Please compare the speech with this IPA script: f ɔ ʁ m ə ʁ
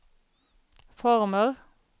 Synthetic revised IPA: f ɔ ʁ m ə ʁ